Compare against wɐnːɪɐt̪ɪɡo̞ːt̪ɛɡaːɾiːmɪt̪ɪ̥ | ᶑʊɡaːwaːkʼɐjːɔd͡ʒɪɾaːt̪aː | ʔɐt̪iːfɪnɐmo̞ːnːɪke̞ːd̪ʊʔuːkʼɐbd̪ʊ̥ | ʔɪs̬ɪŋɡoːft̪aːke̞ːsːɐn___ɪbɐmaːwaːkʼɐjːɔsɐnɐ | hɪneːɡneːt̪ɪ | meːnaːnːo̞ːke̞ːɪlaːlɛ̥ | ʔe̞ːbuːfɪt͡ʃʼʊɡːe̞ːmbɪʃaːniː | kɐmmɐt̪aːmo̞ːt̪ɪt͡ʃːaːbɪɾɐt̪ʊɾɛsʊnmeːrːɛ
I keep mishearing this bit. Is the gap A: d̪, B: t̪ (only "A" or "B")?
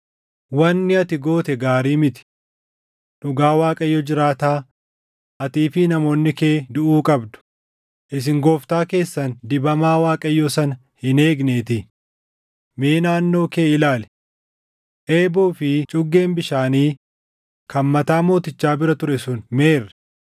A